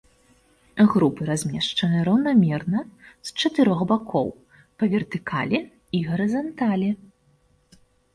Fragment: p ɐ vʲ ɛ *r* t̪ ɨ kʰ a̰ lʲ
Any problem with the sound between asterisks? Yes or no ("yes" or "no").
no